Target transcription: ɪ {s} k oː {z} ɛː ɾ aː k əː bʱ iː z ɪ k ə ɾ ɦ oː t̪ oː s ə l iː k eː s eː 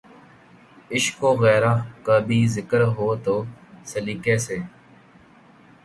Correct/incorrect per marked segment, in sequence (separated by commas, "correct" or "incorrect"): incorrect, incorrect